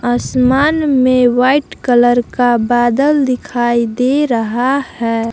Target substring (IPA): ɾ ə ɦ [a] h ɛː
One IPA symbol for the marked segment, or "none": a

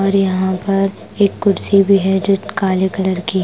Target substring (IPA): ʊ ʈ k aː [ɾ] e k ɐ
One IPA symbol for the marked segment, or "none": l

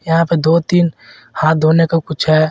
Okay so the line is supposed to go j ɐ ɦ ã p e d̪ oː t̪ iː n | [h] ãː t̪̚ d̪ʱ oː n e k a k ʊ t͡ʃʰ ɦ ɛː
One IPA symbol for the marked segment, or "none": h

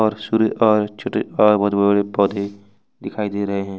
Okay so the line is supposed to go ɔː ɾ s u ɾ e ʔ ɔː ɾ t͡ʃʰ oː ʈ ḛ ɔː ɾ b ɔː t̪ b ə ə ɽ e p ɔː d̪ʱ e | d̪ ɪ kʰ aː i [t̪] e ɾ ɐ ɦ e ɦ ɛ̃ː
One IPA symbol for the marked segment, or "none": d̪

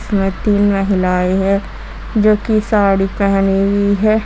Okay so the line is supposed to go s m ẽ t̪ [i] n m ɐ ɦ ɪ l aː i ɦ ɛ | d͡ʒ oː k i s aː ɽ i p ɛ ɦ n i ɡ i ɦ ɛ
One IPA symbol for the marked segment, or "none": iː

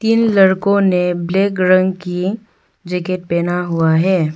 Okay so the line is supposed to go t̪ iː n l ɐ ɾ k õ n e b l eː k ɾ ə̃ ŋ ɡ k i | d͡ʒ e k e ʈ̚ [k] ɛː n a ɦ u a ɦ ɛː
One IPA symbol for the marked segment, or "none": p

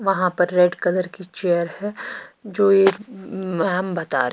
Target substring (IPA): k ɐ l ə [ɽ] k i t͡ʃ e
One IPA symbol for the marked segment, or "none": ɾ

